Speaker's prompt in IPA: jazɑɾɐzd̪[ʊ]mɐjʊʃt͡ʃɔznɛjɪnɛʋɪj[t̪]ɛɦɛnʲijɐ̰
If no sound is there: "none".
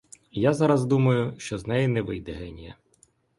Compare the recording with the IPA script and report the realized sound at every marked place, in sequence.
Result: u, d̪

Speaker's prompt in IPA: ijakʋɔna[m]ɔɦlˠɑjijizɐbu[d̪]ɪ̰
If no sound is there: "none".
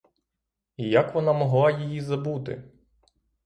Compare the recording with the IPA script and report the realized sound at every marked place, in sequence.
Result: m, t̪

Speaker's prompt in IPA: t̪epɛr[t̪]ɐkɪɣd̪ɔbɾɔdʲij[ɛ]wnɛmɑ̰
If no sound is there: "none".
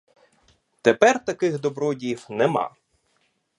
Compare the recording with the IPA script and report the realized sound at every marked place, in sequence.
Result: t̪, i

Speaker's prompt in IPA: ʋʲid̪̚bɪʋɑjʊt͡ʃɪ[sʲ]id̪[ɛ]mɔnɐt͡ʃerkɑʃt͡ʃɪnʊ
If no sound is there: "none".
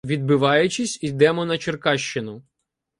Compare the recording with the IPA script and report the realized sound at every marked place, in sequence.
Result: sʲ, ɛ

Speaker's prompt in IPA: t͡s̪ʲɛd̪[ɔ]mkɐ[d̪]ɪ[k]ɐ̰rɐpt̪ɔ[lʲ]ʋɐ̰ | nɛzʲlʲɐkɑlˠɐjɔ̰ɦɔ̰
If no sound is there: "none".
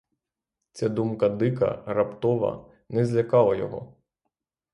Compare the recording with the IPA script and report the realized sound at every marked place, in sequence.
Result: u, d̪, k, none

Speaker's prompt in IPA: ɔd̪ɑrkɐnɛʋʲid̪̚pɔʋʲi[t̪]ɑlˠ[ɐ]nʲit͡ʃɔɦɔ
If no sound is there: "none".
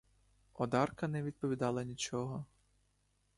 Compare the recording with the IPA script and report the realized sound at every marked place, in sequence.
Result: d̪, ɐ

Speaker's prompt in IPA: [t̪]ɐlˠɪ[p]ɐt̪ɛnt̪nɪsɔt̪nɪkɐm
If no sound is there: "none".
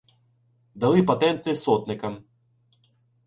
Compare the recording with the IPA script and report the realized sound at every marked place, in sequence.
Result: d̪, p

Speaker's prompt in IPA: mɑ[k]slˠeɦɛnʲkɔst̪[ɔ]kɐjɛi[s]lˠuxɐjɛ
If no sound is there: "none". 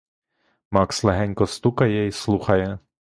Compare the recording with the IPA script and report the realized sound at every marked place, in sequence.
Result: k, u, s

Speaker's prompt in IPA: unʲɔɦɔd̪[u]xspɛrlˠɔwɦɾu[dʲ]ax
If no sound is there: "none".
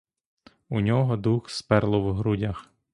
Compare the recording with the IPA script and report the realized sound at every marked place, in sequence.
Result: u, dʲ

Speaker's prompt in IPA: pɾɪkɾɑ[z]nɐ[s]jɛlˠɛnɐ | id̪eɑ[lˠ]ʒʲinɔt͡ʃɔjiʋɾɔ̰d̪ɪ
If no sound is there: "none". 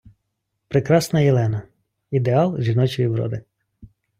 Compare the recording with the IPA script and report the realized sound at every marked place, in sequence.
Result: s, none, lˠ

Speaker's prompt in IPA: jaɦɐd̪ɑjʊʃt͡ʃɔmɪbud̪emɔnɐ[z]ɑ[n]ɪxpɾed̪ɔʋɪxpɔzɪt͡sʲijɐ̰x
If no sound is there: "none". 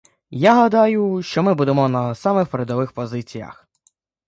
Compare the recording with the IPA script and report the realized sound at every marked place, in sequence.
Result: s, m

